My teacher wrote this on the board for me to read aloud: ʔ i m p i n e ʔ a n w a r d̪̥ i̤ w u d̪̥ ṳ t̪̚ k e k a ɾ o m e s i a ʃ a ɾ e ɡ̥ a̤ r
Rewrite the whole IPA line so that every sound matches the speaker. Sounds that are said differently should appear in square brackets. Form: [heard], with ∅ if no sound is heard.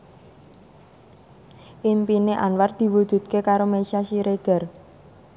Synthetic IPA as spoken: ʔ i m p i n e ʔ a n w a r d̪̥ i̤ w u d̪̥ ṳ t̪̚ k e k a ɾ o m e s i a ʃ [i] ɾ e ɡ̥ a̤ r